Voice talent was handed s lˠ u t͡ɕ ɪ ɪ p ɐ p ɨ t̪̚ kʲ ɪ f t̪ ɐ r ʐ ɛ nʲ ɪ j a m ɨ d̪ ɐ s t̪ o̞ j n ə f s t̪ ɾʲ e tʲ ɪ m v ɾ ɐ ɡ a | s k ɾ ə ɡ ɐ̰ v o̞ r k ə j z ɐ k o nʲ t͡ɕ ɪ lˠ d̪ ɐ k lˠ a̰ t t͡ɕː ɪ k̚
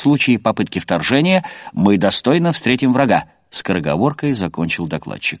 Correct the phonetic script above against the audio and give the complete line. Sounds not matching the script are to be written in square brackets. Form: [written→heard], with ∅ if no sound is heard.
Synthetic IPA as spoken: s lˠ u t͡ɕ ɪ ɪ p ɐ p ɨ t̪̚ kʲ ɪ f t̪ ɐ r ʐ ɛ nʲ ɪ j [a→ə] m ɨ d̪ ɐ s t̪ o̞ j n ə f s t̪ ɾʲ e tʲ ɪ m v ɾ ɐ ɡ a | s k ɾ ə ɡ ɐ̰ v o̞ r k ə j z ɐ k o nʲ t͡ɕ ɪ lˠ d̪ ɐ k lˠ a̰ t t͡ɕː ɪ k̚